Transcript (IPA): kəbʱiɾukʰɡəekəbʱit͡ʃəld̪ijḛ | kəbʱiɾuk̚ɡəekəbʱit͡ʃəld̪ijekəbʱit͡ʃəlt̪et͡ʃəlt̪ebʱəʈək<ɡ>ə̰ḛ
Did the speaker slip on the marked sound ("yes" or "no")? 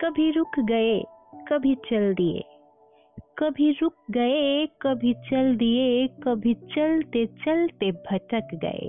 no